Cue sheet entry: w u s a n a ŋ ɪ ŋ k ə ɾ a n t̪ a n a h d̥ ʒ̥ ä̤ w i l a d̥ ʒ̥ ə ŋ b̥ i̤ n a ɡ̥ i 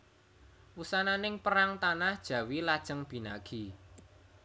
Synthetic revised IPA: w u s a n a n ɪ ŋ p ə ɾ a ŋ t̪ a n a h d̥ ʒ̥ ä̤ w i l a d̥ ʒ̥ ə ŋ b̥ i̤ n a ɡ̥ i